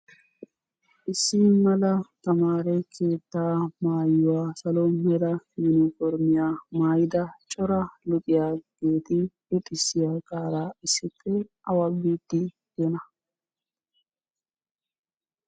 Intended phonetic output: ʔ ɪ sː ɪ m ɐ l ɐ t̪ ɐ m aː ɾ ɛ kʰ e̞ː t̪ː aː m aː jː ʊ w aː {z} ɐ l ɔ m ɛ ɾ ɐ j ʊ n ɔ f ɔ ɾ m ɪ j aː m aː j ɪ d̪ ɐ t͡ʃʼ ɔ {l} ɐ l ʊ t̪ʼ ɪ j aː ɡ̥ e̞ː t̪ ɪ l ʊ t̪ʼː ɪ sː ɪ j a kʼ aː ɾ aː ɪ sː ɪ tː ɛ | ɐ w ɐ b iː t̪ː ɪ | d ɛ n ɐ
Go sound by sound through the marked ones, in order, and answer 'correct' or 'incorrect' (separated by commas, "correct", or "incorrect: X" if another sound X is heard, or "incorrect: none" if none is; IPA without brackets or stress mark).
incorrect: s, incorrect: ɾ